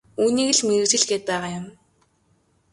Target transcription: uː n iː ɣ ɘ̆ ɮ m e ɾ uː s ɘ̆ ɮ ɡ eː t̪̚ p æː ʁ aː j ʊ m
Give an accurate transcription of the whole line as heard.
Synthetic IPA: uː n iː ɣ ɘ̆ ɮ m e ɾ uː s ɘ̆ ɮ ɡ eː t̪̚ p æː ʁ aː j ʊ m